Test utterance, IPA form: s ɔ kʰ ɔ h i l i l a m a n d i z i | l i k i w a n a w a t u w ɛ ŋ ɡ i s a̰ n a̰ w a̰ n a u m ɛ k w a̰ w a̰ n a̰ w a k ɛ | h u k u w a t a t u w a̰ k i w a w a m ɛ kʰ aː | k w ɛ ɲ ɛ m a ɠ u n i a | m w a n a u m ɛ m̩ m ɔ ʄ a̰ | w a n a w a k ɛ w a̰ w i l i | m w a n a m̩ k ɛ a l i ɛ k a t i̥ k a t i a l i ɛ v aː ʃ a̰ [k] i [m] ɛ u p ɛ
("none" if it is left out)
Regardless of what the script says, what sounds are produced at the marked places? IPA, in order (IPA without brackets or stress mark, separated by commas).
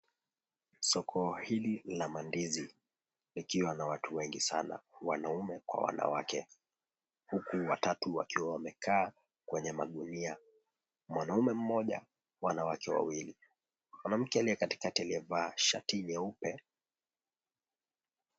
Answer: t, ɲ